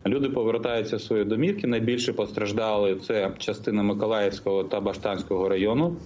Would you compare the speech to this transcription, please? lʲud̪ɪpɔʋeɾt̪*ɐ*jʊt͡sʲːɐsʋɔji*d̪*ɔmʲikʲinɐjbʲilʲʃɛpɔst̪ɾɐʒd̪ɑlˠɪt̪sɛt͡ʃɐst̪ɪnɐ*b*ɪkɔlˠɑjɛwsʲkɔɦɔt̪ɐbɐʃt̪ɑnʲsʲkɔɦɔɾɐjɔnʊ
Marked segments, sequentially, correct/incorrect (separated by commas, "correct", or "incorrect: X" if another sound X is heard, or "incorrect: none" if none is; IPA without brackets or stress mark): incorrect: ɑ, correct, incorrect: m